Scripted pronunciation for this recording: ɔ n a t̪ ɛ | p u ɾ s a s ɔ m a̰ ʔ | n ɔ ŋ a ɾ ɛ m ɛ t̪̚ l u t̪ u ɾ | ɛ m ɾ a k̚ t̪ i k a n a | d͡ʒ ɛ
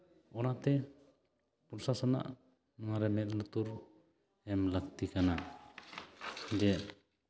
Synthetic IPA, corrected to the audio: ɔ n a t̪ ɛ | p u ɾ s a s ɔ n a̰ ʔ | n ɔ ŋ a ɾ ɛ m ɛ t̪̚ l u t̪ u ɾ | ɛ m l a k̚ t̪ i k a n a | d͡ʒ ɛ